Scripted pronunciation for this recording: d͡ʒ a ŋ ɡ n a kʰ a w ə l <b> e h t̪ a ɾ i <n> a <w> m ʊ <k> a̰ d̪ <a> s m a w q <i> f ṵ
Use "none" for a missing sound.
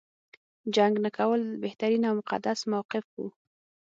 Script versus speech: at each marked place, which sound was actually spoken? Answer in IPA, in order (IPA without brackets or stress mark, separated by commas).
b, n, w, q, a, ɪ